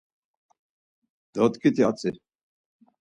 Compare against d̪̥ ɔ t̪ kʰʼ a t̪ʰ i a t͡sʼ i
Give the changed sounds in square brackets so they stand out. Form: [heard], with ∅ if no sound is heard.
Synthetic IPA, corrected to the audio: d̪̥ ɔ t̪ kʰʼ [i] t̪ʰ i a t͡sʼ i